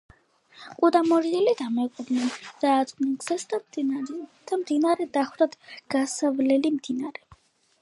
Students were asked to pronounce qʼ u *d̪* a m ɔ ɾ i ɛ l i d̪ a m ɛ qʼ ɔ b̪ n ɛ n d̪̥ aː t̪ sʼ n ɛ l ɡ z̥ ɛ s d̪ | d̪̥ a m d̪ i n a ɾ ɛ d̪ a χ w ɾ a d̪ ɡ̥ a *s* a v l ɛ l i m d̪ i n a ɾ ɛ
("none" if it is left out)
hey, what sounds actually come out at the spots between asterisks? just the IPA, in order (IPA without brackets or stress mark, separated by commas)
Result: d̪, s